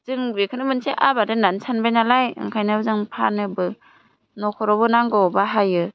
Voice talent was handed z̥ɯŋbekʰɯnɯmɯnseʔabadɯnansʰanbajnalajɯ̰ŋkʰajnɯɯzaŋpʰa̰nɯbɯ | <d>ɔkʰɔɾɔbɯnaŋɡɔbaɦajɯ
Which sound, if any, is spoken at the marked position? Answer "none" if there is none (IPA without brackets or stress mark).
n